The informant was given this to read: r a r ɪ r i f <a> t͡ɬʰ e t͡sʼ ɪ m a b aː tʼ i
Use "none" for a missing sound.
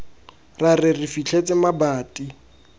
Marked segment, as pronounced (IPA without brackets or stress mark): i